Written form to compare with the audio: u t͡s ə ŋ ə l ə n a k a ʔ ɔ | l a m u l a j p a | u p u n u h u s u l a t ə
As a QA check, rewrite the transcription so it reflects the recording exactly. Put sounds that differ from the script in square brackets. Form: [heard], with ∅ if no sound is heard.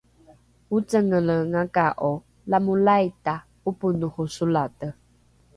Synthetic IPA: u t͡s ə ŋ ə l ə [ŋ] a k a ʔ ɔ | l a m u l a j [t] a | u p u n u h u s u l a t ə

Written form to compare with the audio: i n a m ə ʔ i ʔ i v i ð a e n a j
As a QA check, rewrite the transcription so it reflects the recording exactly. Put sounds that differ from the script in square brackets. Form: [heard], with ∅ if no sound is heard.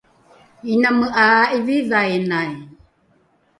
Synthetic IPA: i n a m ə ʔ [a] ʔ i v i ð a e n a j

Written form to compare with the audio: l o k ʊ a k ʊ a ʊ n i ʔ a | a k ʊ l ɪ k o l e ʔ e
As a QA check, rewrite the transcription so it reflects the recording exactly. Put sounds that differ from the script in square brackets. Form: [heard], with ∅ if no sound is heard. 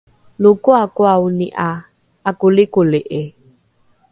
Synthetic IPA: l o k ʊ a k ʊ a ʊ n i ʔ a | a k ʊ l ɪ k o l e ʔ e

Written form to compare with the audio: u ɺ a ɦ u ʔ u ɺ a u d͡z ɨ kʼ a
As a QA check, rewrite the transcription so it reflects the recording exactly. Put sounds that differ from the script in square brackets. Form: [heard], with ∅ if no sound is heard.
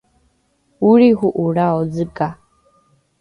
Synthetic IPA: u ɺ [i] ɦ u ʔ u ɺ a [ɔ] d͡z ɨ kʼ a

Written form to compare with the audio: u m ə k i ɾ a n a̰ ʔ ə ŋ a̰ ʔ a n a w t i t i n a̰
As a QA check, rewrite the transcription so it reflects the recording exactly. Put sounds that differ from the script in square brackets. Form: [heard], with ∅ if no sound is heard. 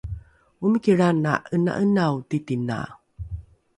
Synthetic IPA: u m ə k i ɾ a n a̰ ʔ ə [n] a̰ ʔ [ə] n a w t i t i n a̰

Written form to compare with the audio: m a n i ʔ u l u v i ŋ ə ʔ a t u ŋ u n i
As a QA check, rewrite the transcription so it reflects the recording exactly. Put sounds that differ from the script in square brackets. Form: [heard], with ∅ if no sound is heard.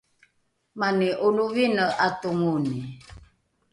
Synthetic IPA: m a n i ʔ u l u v i [n] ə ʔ a t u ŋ u n i

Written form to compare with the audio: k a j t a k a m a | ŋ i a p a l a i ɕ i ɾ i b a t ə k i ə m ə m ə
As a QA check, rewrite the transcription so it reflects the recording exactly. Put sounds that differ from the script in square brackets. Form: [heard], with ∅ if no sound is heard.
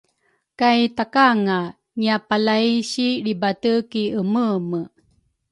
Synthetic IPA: k a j t a k a [ŋ] a | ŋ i a p a l a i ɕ i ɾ i b a t ə k i ə m ə m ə

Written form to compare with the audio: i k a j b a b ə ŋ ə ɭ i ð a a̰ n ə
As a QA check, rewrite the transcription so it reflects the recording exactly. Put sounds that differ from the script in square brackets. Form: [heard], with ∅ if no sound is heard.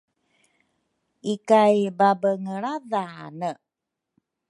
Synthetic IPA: i k a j b a b ə ŋ ə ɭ [a] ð a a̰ n ə

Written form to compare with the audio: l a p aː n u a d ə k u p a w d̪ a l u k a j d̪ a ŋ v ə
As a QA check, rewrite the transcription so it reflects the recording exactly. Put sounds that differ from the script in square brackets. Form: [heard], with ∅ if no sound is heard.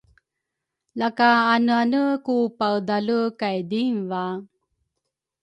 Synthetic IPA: l a [k] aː n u a [n] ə k u p a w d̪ a l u k a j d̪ [i] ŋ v [a]

